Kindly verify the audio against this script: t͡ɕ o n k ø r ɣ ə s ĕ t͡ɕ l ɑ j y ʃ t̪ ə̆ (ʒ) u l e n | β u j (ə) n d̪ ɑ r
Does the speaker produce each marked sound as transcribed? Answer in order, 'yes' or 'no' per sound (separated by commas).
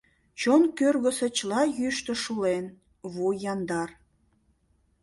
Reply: no, no